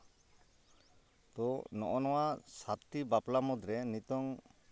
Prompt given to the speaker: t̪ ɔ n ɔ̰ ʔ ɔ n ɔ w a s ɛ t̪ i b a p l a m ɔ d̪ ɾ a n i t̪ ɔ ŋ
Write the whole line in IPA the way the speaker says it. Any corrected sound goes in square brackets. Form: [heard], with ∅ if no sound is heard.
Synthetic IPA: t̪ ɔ n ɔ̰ ʔ ɔ n ɔ w a s [a] t̪ i b a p l a m ɔ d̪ ɾ [ɛ] n i t̪ ɔ ŋ